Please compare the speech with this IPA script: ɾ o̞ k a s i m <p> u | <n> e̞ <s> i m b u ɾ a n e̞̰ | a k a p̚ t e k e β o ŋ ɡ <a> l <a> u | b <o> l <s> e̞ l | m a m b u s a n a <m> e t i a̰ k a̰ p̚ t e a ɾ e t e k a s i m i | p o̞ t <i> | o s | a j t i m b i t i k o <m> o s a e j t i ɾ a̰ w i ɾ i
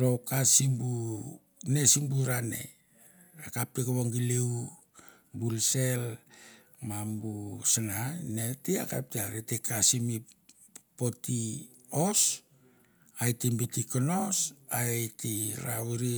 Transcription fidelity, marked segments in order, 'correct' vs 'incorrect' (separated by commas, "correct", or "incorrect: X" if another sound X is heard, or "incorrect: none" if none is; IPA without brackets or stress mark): incorrect: b, correct, correct, incorrect: i, incorrect: e, incorrect: u, correct, incorrect: n, correct, incorrect: n